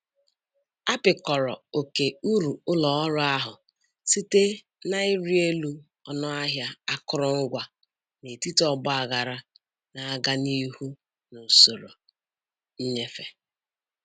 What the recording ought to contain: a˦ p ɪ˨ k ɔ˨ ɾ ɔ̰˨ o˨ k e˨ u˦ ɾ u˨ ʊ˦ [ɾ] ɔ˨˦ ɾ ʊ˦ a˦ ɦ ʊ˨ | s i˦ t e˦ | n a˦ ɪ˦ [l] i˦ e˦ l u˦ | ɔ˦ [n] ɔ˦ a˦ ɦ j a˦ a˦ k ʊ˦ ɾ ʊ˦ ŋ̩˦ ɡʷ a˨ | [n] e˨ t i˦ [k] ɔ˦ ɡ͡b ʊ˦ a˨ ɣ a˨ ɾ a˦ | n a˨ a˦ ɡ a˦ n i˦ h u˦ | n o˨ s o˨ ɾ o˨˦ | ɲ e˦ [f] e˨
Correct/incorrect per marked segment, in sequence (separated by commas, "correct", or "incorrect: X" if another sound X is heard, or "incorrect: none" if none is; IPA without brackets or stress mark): incorrect: l, incorrect: ɾ, correct, correct, incorrect: t, correct